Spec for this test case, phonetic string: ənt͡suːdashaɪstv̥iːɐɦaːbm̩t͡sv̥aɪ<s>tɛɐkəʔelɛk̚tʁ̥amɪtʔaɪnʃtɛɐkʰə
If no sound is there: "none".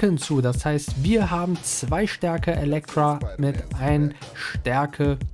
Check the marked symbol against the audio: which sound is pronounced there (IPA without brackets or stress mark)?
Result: ʃ